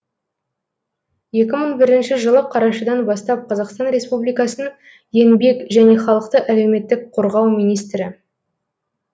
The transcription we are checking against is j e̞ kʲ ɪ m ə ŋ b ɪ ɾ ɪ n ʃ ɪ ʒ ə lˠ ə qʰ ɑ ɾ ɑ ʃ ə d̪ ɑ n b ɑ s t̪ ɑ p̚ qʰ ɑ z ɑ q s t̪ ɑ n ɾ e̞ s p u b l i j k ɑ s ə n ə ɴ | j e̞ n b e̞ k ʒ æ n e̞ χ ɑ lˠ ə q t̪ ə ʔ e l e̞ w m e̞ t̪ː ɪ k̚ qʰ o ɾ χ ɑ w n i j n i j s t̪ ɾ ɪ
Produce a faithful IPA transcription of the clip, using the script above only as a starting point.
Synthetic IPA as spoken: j e̞ kʲ ɪ m ə ɴ b ɪ ɾ ɪ n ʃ ɪ ʒ ə lˠ ə qʰ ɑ ɾ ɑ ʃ ə d̪ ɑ n b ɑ s t̪ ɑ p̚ qʰ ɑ z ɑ q s t̪ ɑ n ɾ e̞ s p u b l i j k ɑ s ə n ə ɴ | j e̞ n b e̞ k ʒ æ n e̞ χ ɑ lˠ ə q t̪ ə ʔ æ l e̞ w m e̞ t̪ː ɪ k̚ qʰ o ɾ ʁ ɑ w m i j n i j s t̪ ɾ ɪ